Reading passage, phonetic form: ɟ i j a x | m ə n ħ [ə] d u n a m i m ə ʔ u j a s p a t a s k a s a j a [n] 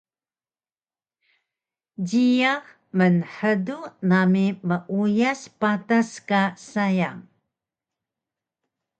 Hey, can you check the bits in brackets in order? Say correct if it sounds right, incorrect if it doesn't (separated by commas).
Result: correct, incorrect